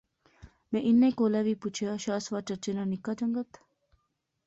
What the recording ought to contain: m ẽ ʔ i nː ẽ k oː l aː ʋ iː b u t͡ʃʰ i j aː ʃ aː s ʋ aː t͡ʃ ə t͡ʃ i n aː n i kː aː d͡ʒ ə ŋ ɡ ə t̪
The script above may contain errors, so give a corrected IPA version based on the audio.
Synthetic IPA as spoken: m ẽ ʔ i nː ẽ k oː l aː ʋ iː p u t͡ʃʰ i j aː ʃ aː s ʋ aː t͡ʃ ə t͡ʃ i n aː n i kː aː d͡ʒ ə ŋ ɡ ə t̪